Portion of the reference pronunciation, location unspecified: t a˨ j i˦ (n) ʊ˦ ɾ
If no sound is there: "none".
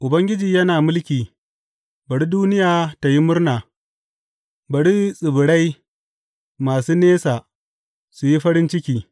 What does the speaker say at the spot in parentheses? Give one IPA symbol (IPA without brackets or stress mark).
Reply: m